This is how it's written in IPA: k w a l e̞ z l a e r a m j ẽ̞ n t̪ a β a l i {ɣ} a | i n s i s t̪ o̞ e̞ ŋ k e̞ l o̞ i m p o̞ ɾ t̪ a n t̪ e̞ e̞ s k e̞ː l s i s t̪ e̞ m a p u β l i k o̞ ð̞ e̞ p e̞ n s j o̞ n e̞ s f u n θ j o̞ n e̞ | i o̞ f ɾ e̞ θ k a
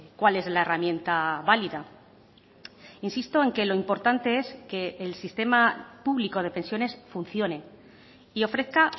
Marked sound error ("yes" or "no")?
yes